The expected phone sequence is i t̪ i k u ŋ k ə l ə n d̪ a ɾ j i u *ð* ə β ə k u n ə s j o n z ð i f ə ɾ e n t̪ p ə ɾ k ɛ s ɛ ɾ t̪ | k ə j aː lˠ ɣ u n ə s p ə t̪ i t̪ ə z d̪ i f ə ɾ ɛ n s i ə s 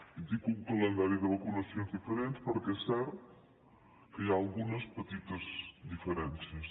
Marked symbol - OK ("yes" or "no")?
yes